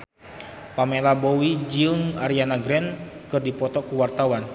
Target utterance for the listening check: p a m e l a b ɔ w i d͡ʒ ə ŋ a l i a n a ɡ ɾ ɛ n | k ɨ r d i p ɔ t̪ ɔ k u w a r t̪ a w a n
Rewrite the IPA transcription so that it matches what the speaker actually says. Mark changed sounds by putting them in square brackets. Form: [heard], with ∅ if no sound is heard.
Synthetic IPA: p a m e l a b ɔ w i d͡ʒ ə ŋ a [ɾ] i a n a ɡ ɾ ɛ n | k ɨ r d i p ɔ t̪ ɔ k u w a r t̪ a w a n

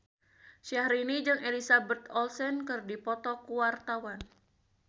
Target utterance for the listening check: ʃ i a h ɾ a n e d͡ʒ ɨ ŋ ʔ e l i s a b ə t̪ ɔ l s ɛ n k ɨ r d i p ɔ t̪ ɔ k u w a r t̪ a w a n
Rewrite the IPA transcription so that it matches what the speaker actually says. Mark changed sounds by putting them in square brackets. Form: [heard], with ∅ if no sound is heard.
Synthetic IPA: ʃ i a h ɾ [i] n [i] d͡ʒ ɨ ŋ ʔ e l i s a b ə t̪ ɔ l s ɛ n k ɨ r d i p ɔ t̪ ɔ k u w a r t̪ a w a n

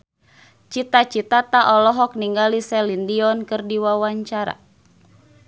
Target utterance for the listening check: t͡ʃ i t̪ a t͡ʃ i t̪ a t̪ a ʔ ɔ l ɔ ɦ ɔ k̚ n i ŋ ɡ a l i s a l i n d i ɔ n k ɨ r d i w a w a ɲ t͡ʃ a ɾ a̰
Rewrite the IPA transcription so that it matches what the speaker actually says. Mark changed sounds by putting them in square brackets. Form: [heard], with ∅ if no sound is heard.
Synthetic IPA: t͡ʃ i t̪ a t͡ʃ i t̪ a t̪ a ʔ ɔ l ɔ ɦ ɔ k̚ n i ŋ ɡ a l i s [ɛ] l i n d i ɔ n k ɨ r d i w a w a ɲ t͡ʃ a ɾ a̰

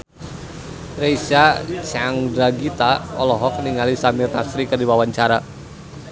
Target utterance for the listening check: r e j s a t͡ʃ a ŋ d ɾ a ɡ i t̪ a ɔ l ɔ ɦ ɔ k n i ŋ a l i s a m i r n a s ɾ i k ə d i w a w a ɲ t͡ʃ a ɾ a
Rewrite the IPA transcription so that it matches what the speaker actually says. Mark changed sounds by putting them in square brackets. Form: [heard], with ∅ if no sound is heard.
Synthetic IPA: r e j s a t͡ʃ a ŋ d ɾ a ɡ i t̪ a ɔ l ɔ ɦ ɔ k n i ŋ a l i s a m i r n a s ɾ i k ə d i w a w a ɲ t͡ʃ a ɾ a

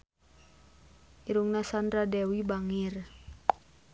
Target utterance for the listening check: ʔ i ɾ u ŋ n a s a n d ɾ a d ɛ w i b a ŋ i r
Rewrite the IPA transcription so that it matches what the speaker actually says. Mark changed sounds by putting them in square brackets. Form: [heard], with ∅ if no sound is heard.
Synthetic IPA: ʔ i ɾ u ŋ n a s a n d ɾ a d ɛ w i b a ŋ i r

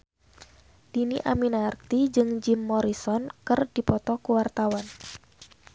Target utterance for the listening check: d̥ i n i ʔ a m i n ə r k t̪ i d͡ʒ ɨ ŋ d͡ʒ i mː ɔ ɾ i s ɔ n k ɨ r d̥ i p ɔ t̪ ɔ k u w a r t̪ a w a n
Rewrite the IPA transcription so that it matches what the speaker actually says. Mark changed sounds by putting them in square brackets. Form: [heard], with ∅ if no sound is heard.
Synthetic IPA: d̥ i n i ʔ a m i n [a] r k t̪ i d͡ʒ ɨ ŋ d͡ʒ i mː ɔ ɾ i s ɔ n k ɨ r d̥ i p ɔ t̪ ɔ k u w a r t̪ a w a n

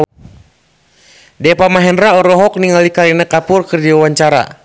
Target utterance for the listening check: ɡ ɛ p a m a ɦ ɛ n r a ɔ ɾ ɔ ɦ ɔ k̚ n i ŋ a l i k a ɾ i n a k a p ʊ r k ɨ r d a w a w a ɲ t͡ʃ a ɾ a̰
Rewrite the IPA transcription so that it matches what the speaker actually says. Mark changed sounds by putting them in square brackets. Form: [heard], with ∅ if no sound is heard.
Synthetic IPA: [d] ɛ p a m a ɦ ɛ n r a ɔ ɾ ɔ ɦ ɔ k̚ n i ŋ a l i k a ɾ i n a k a p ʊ r k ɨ r d [i] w a w a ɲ t͡ʃ a ɾ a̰

